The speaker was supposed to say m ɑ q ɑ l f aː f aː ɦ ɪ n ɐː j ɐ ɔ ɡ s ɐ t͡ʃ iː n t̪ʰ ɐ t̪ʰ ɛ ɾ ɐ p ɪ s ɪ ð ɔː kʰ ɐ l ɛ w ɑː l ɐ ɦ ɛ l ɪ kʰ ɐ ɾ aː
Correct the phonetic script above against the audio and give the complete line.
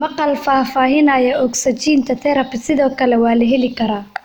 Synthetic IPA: m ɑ q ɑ l f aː f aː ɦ ɪ n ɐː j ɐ ɔ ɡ s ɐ t͡ʃ iː n t̪ʰ ɐ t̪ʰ ɛ ɾ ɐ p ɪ s ɪ ð ɔː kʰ ɐ l ɛ w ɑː l ɐ ɦ ɛ l ɪ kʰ ɐ ɾ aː